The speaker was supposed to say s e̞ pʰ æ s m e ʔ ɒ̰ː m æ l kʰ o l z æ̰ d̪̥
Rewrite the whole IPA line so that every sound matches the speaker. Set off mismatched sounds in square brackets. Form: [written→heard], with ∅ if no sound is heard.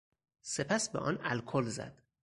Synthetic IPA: s e̞ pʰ æ s [m→b] e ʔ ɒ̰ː [m→n] æ l kʰ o l z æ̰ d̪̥